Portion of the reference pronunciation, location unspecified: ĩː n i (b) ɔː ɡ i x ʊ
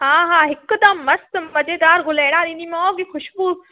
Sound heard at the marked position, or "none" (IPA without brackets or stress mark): m